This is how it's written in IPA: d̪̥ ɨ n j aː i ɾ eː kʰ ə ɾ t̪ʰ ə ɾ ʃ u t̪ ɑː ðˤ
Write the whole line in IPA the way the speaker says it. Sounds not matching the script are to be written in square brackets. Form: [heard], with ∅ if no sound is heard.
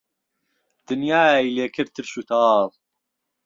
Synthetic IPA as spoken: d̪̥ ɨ n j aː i [l] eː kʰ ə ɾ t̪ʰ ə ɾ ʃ u t̪ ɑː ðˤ